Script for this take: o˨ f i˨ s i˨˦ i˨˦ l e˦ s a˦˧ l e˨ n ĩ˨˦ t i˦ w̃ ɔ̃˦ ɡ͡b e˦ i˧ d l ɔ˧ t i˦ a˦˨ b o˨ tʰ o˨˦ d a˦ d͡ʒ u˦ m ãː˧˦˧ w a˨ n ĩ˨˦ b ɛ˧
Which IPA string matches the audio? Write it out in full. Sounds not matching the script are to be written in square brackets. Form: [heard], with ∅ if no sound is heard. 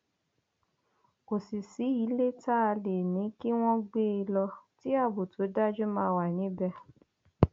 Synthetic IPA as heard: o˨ [s] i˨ s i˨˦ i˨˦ l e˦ [t] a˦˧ l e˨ n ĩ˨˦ [k] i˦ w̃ ɔ̃˦ ɡ͡b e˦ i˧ [∅] l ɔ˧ t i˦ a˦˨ b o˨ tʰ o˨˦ d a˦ d͡ʒ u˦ m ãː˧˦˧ w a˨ n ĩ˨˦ b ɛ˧